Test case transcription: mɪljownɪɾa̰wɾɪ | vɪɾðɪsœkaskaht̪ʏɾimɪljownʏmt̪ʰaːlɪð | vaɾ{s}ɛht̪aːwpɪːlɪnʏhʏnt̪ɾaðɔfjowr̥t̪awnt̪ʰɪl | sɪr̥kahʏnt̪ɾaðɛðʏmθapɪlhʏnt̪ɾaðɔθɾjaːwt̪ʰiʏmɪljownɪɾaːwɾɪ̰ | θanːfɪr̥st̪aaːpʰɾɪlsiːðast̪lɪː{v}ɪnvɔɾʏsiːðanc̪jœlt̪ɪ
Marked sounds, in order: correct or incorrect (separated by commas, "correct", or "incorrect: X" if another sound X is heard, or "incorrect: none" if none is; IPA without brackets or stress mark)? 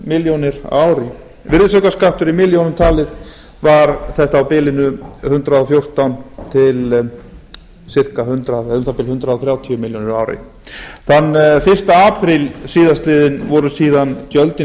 incorrect: θ, incorrect: ð